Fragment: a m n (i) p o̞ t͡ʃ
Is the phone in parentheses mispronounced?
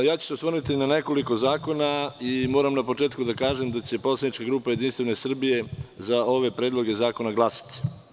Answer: yes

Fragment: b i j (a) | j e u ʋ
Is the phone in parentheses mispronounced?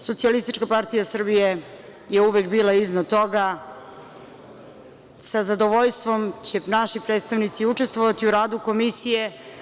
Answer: yes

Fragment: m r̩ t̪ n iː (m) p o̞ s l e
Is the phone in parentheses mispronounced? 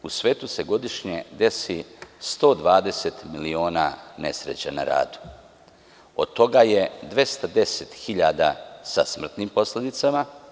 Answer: no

